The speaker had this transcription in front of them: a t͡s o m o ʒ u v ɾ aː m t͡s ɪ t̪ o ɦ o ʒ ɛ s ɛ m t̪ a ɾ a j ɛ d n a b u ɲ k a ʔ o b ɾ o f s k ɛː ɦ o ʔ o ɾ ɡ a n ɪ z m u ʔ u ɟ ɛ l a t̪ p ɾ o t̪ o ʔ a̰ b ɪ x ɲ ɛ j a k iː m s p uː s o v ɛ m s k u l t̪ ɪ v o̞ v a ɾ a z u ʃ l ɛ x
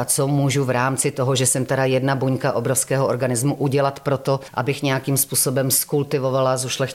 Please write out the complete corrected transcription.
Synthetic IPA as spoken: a t͡s o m u ʒ u v ɾ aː m t͡s ɪ t̪ o ɦ o ʒ ɛ s ɛ m t̪ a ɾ a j ɛ d n a b u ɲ k a ʔ o b ɾ o f s k ɛː ɦ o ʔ o ɾ ɡ a n ɪ z m u ʔ u ɟ ɛ l a t̪ p ɾ o t̪ o ʔ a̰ b ɪ x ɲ ɛ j a k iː m s p uː s o b ɛ m s k u l t̪ ɪ v o̞ v a l a z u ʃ l ɛ x